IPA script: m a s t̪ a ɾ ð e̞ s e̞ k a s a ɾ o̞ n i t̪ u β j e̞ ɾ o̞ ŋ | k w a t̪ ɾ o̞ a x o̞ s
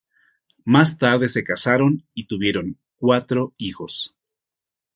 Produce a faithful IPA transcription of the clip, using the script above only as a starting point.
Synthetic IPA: m a s t̪ a ɾ ð e̞ s e̞ k a s a ɾ o̞ n i t̪ u β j e̞ ɾ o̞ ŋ | k w a t̪ ɾ o̞ i x o̞ s